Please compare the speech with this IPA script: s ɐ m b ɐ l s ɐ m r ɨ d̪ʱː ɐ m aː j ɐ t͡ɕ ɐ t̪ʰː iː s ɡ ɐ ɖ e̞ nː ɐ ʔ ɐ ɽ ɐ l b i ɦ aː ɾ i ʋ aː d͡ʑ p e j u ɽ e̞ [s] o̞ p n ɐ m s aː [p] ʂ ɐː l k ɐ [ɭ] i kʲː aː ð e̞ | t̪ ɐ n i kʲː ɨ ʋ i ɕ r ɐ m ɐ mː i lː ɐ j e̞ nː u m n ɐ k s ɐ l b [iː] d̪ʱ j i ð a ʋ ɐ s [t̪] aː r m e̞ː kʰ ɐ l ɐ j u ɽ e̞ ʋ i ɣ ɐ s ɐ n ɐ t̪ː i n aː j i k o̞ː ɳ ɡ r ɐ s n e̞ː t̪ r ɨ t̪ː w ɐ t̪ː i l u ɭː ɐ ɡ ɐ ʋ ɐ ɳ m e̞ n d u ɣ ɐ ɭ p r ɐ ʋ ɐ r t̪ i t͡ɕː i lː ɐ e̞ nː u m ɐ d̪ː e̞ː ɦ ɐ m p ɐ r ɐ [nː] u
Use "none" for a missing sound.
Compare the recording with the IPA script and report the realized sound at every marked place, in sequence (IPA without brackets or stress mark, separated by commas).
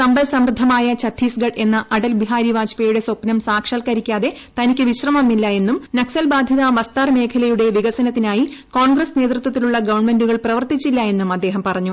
s, k, ɾ, aː, t̪, ɲː